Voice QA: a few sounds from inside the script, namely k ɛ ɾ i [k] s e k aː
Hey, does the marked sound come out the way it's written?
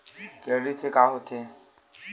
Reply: no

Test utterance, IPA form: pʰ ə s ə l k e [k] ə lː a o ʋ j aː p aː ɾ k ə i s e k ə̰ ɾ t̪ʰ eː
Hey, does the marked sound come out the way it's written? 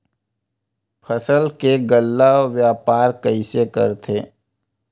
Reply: no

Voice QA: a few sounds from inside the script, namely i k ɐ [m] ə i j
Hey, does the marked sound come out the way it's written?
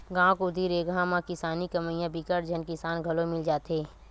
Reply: yes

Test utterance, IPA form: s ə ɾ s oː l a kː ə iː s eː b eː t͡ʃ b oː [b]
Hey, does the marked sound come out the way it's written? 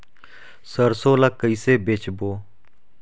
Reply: no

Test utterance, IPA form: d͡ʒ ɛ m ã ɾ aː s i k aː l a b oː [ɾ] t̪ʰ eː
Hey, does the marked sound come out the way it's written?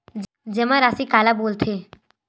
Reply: no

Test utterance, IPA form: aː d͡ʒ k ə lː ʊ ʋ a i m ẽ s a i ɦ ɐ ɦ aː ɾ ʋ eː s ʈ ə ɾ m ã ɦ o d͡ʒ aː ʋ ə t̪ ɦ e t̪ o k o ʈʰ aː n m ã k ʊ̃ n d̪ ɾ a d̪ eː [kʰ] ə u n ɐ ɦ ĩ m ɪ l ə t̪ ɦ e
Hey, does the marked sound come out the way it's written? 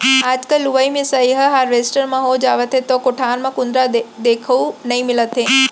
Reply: yes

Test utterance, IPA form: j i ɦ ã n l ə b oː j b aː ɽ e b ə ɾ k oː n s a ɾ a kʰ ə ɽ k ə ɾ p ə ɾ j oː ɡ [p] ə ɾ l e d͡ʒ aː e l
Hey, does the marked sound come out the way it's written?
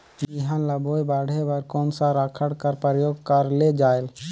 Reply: no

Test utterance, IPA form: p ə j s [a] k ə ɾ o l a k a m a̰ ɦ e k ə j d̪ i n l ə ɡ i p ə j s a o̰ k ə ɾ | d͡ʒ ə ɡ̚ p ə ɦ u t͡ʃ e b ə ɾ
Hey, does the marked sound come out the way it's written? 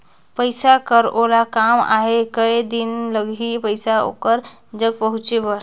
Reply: yes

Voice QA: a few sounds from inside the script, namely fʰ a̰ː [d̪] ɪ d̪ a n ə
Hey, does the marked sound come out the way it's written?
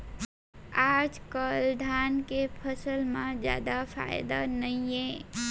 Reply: no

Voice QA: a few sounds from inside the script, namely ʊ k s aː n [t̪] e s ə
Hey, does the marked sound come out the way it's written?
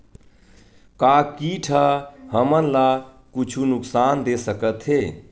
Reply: no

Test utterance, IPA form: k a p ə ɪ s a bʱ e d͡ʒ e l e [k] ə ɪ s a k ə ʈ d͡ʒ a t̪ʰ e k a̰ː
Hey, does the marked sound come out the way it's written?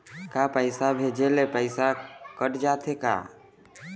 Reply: no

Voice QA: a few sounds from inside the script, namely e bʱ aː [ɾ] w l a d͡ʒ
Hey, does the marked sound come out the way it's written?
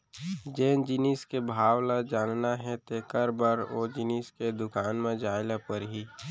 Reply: no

